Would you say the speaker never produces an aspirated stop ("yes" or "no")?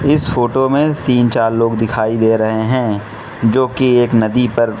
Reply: no